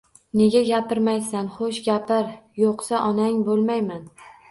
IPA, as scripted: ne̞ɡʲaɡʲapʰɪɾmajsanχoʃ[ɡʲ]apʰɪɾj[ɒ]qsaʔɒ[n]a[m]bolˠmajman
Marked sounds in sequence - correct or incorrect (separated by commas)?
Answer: correct, incorrect, correct, incorrect